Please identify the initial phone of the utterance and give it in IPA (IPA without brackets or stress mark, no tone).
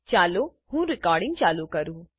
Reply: t͡ʃ